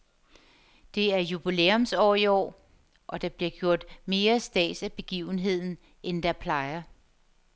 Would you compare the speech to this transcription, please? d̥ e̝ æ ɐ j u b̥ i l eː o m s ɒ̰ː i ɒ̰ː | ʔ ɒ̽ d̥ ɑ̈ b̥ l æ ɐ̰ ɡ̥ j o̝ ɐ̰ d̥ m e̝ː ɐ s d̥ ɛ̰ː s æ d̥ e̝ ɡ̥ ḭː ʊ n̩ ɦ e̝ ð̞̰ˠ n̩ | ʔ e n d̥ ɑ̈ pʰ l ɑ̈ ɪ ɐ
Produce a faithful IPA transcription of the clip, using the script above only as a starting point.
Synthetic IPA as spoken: d̥ e̝ æ ɐ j u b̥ i l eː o m s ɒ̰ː i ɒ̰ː | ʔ ɒ̽ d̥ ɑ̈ b̥ l i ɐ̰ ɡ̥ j o̝ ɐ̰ d̥ m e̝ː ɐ s d̥ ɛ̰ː s æ b̥ e̝ ɡ̥ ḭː ʊ n̩ ɦ e̝ ð̞̰ˠ n̩ | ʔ e n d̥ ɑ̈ pʰ l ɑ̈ ɪ ɐ